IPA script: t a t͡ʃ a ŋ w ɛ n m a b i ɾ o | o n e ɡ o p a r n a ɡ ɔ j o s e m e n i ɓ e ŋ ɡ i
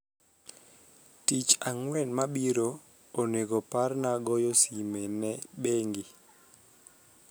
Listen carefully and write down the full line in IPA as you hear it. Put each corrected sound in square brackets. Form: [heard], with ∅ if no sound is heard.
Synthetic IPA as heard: t [i] t͡ʃ a ŋ w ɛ n m a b i ɾ o | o n e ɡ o p a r n a ɡ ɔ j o s [i] m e n [ɛ] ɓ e ŋ ɡ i